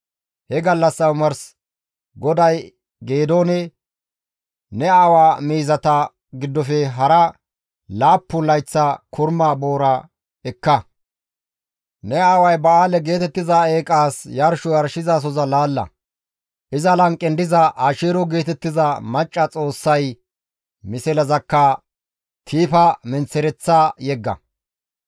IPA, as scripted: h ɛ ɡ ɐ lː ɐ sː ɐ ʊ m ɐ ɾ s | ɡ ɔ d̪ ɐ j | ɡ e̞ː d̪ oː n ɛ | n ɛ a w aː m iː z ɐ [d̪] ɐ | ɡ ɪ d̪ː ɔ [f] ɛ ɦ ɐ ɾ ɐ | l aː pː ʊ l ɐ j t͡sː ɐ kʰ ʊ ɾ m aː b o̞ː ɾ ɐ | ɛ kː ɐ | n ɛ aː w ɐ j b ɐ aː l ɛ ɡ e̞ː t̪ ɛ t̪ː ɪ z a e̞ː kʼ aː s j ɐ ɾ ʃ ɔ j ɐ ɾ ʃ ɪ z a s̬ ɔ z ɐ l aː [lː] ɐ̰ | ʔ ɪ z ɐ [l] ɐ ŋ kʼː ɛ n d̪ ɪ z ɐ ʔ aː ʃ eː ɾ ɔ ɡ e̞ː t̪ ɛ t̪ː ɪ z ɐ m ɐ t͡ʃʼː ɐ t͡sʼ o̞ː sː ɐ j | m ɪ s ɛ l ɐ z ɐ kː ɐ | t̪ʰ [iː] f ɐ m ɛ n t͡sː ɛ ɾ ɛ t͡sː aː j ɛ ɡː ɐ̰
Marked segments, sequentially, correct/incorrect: incorrect: t̪, correct, correct, correct, correct

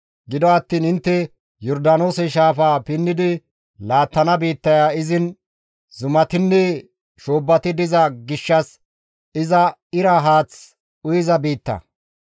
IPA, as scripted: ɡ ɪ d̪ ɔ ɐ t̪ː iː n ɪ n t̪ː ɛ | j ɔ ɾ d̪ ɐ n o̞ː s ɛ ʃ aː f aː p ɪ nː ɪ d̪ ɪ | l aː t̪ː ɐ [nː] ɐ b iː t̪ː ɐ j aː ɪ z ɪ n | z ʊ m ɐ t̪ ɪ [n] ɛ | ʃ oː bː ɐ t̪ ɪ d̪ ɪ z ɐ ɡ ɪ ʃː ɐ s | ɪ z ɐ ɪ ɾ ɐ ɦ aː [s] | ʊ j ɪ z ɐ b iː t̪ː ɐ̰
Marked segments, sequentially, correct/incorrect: incorrect: n, incorrect: nː, incorrect: t͡s

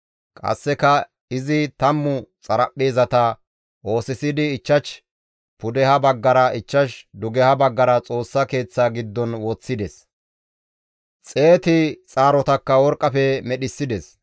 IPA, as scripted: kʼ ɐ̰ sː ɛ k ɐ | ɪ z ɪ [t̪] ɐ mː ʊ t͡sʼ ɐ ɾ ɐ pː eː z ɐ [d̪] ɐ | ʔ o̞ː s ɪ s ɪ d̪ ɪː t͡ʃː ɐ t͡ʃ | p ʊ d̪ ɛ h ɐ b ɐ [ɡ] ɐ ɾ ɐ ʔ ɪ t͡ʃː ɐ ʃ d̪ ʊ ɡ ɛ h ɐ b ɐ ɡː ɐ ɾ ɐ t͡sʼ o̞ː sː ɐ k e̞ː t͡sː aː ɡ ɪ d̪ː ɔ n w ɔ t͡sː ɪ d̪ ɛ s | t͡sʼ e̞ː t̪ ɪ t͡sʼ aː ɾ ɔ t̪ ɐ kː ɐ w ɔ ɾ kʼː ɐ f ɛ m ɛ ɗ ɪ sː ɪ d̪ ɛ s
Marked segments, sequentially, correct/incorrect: correct, incorrect: t̪, incorrect: ɡː

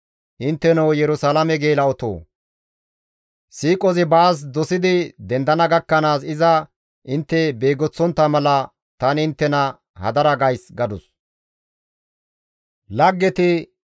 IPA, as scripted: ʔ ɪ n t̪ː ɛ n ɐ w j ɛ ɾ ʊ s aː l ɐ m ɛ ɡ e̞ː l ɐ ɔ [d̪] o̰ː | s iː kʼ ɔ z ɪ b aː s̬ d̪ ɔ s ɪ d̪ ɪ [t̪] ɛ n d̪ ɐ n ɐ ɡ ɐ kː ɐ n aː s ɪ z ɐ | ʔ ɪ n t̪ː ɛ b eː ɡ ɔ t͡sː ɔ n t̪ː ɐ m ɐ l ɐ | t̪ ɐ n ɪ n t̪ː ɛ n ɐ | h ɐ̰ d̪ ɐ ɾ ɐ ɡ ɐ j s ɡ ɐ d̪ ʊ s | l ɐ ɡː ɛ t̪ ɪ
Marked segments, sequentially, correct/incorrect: incorrect: t̪, incorrect: d̪

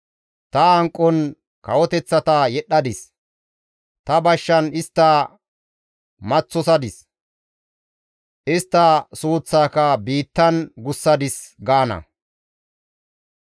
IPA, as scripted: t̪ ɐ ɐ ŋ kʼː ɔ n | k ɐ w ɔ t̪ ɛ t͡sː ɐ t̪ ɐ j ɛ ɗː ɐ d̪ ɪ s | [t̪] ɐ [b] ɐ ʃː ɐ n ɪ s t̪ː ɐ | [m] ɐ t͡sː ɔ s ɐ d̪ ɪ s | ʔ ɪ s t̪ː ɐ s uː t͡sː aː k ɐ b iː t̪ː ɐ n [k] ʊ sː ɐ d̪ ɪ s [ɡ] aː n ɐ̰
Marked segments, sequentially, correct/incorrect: correct, correct, correct, incorrect: ɡ, correct

